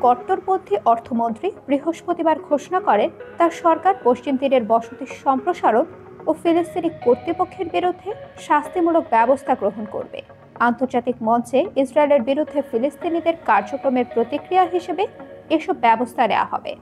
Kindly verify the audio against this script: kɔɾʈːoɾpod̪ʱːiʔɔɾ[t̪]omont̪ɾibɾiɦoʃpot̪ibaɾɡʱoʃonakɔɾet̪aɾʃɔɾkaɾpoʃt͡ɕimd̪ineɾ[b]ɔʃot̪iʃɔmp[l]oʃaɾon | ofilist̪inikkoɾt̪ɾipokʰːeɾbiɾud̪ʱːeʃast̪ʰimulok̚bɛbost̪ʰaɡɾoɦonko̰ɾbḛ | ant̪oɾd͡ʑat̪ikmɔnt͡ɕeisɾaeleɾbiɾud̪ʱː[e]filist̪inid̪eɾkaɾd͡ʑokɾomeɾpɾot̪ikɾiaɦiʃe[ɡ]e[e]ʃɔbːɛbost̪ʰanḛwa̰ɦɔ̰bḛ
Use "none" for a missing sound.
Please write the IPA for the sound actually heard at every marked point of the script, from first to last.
t̪ʰ, b, ɾ, e, b, e

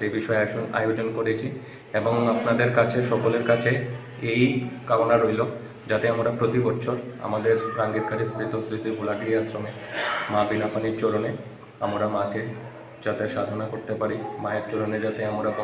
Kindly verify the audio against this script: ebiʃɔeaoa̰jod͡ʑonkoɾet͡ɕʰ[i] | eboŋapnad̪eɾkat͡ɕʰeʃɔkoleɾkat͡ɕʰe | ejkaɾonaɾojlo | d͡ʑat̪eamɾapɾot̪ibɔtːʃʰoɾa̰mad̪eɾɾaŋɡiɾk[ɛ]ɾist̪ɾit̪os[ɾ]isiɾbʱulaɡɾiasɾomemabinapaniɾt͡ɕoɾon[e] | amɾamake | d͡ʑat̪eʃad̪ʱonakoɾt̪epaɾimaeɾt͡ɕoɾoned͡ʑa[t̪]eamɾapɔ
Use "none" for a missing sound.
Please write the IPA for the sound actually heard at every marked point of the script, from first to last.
i, a, ɾ, e, t̪

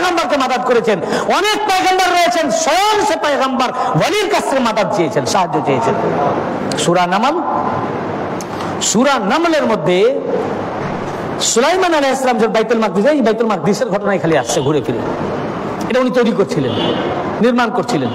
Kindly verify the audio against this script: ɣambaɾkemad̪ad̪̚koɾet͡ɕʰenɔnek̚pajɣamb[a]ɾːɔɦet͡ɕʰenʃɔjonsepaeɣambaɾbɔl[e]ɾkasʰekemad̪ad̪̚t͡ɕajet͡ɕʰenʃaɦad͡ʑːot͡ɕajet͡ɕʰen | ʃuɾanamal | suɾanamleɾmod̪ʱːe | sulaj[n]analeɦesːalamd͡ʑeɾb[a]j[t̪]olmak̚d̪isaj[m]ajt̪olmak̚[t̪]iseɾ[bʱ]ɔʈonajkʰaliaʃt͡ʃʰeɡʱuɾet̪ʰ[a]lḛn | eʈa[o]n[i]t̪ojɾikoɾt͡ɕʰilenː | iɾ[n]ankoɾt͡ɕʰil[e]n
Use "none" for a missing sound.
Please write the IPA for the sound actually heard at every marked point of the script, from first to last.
a, i, m, a, t̪, b, d̪, ɡʱ, i, u, i, m, e

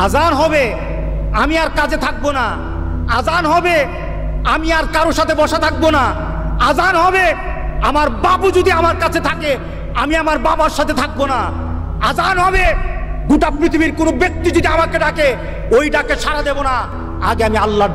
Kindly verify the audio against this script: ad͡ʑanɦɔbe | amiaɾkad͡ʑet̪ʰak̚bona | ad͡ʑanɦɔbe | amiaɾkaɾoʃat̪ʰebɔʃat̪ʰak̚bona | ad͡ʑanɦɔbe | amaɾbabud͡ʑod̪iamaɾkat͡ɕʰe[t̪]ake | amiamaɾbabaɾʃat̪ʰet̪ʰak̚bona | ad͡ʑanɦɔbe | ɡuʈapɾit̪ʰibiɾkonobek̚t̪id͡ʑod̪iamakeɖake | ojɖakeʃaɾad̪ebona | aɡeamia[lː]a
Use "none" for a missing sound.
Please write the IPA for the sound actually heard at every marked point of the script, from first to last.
t̪ʰ, lː

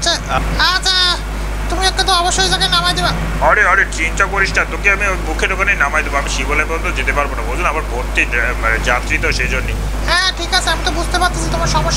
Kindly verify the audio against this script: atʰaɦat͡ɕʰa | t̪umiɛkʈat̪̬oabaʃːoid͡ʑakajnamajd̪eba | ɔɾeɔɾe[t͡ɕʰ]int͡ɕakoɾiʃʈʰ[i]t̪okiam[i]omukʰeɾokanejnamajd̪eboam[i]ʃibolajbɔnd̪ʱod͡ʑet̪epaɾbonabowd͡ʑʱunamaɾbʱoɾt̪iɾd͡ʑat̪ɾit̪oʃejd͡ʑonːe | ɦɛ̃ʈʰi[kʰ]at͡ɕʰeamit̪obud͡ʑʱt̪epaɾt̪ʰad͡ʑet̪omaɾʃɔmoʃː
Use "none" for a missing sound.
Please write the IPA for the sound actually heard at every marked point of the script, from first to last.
t͡ɕ, a, i, i, k

